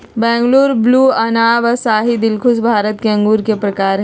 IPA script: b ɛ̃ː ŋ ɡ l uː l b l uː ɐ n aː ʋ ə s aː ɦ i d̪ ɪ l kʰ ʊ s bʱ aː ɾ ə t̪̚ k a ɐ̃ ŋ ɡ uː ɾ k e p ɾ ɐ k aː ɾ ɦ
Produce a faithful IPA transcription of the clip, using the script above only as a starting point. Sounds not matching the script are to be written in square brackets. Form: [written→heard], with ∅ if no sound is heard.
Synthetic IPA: b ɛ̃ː ŋ ɡ l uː [l→ɾ] b l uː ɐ n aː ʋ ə s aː ɦ i d̪ ɪ l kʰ ʊ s bʱ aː ɾ ə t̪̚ k [a→e] ɐ̃ ŋ ɡ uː ɾ k e p ɾ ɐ k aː ɾ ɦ